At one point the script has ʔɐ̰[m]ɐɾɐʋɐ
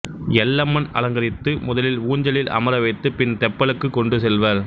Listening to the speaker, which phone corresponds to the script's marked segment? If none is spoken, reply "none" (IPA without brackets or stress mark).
m